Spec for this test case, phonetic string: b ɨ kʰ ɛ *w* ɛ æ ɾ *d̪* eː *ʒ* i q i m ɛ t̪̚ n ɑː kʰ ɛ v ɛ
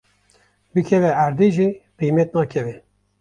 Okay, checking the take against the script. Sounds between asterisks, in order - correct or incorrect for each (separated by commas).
incorrect, correct, correct